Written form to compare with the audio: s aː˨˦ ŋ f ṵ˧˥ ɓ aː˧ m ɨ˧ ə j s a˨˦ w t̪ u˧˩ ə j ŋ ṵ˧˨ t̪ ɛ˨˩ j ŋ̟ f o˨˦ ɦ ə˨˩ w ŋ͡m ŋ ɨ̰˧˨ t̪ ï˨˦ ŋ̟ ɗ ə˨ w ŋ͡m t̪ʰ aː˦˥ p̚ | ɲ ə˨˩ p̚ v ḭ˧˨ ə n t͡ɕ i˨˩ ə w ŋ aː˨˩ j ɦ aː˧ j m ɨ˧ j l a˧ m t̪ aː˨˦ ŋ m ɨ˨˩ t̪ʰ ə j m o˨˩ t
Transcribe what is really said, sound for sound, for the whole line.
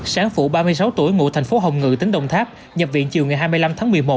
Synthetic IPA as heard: s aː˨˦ ŋ f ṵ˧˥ ɓ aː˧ m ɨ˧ ə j s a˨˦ w t̪ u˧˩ ə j ŋ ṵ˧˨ t̪ʰ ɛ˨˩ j ŋ̟ f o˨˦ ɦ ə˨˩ w ŋ͡m ŋ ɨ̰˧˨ t̪ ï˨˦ ŋ̟ ɗ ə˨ w ŋ͡m t̪ʰ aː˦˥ p̚ | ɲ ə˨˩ p̚ v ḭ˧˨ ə n t͡ɕ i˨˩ ə w ŋ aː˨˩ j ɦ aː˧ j m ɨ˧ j l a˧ m t̪ʰ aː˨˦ ŋ m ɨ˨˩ ə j m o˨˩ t